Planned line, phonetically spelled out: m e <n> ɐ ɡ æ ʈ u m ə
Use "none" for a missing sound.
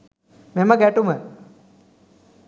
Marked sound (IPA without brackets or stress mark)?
m